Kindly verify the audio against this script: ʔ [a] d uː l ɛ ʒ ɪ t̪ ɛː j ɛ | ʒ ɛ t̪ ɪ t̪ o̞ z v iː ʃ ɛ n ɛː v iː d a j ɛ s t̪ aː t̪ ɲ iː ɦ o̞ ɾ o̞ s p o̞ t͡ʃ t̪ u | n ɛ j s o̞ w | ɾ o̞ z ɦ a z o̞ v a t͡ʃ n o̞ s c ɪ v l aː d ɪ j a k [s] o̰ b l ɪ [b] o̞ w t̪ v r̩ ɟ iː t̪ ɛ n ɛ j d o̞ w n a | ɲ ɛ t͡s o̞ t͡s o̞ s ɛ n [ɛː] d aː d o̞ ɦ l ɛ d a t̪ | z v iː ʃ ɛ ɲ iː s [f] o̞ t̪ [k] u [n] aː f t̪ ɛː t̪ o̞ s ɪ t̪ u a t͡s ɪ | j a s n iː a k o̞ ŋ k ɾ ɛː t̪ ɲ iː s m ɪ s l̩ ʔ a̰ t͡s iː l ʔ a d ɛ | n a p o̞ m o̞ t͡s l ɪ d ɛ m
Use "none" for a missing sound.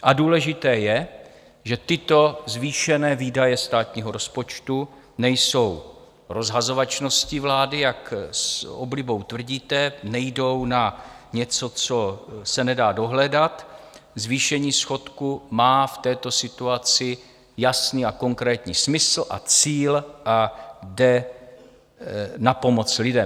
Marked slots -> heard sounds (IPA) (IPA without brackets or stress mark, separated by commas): a, s, b, ɛ, x, k, m